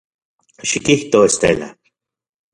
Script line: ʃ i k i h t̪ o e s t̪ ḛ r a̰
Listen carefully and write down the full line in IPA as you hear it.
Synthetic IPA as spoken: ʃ i k i h t̪ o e s t̪ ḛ l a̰